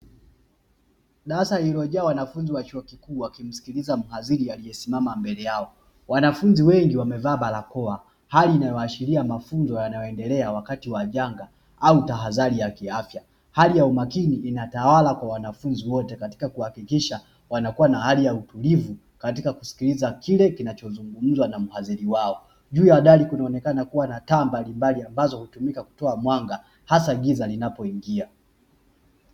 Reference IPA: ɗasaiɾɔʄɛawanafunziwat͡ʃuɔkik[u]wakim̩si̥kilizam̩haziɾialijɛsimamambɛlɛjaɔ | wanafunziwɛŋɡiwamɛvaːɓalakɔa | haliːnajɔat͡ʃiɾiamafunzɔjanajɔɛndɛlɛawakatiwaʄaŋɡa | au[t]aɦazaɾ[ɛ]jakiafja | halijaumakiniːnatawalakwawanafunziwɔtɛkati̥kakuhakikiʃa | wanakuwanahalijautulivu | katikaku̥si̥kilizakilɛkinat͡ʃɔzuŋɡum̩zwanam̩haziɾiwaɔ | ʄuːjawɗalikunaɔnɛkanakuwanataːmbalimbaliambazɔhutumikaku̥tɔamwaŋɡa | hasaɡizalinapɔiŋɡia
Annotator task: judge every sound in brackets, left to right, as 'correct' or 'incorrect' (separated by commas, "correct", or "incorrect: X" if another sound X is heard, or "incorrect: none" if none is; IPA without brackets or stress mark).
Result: incorrect: uː, correct, incorrect: i